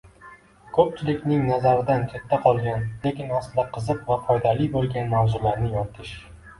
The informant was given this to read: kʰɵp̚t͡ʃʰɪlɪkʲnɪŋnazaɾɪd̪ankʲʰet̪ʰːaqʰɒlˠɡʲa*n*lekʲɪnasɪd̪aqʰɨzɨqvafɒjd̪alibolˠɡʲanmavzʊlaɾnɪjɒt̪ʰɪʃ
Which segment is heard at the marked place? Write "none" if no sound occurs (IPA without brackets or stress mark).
n